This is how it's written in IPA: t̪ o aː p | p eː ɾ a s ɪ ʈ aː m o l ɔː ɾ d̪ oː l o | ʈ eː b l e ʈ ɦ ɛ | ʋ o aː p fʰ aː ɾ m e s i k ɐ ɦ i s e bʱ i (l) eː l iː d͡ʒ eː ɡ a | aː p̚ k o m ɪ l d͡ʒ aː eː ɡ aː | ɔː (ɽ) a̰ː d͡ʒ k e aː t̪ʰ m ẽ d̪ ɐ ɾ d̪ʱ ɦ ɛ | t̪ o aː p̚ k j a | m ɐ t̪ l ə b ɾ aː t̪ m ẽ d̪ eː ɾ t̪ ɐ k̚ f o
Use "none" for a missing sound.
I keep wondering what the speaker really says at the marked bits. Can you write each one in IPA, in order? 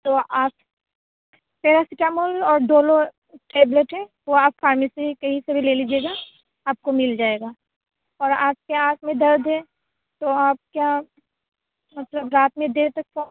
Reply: l, ɾ

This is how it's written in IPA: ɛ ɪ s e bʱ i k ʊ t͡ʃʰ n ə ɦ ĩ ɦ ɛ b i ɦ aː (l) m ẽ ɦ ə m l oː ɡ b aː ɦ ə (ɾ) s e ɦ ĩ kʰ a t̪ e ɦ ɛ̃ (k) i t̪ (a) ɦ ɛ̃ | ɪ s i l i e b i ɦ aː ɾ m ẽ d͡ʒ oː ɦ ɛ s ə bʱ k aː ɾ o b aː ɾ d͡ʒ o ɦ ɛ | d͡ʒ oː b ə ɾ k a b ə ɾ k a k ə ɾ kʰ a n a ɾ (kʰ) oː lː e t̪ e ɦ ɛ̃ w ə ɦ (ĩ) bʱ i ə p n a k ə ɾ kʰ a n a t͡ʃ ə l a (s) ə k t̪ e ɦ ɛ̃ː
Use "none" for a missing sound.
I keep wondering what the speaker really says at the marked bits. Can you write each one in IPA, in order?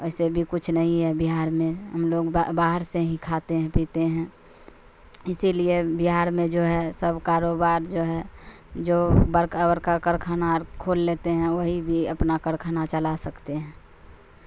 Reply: ɾ, ɾ, p, e, kʰ, i, s

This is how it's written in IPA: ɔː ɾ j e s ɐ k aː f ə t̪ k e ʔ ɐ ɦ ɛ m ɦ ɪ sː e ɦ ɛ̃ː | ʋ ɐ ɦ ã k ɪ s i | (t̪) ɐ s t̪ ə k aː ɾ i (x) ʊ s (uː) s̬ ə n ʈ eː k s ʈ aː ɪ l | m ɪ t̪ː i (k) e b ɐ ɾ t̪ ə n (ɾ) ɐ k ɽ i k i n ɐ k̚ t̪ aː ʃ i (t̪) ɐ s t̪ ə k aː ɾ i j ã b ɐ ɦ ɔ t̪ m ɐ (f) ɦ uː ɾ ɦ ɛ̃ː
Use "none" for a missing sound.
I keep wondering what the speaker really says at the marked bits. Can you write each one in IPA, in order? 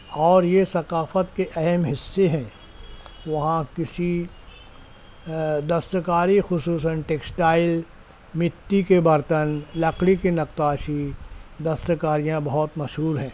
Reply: d̪, x, uː, k, l, d̪, ʃ

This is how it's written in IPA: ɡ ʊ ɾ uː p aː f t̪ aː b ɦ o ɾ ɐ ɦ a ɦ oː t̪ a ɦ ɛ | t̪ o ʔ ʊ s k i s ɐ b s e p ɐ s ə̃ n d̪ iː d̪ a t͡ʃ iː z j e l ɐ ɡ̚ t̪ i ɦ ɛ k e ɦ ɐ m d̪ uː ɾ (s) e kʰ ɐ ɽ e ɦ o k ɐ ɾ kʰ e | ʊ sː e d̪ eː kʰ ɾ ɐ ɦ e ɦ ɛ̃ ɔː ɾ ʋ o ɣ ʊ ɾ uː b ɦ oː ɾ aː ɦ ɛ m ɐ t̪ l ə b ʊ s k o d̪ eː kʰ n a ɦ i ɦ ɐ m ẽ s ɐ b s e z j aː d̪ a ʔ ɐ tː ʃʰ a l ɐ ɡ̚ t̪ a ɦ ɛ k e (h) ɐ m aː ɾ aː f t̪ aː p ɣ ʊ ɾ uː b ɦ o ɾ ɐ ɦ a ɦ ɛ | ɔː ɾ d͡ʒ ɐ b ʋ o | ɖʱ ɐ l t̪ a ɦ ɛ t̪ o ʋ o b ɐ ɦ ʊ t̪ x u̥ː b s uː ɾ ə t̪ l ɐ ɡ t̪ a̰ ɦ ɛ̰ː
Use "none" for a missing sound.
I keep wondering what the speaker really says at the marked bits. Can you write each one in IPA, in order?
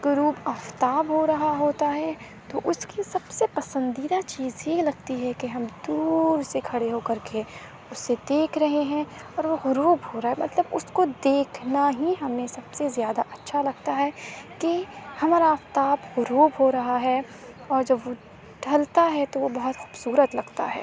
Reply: s, h

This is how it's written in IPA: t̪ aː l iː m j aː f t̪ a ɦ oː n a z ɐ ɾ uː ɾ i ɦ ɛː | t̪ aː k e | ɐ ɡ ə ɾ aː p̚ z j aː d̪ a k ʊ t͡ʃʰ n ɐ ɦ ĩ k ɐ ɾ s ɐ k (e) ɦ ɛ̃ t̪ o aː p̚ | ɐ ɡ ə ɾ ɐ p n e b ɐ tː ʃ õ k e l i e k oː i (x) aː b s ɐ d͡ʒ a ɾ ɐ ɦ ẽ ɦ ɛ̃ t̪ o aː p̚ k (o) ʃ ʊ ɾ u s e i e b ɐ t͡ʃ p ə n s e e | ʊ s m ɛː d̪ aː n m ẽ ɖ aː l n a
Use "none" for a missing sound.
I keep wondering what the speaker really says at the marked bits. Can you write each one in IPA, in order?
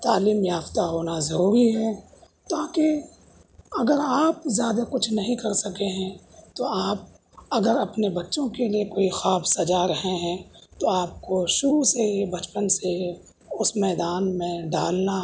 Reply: e, x, o

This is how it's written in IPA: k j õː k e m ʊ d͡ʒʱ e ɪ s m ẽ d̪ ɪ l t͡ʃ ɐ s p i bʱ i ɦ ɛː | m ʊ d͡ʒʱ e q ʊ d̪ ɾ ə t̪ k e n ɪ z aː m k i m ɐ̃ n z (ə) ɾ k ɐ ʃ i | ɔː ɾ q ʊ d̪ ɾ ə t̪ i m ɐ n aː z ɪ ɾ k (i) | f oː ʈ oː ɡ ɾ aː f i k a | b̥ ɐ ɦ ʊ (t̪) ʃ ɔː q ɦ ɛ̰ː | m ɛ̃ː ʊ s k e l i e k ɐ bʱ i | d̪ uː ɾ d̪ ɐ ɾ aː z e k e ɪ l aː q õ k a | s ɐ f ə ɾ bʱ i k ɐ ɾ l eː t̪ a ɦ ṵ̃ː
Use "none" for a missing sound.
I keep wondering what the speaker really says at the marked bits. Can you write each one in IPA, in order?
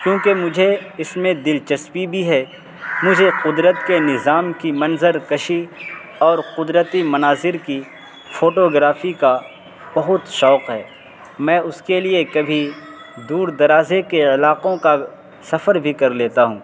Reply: ə, i, t̪

